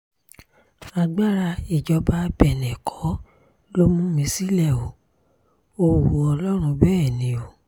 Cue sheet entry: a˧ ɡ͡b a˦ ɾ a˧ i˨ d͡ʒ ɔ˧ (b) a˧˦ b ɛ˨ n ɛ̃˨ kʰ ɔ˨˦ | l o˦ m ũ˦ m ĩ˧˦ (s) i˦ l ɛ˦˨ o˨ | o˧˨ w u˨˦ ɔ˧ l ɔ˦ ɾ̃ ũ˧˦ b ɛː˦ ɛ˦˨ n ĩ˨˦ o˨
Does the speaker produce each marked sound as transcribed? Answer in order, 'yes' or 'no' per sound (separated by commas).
yes, yes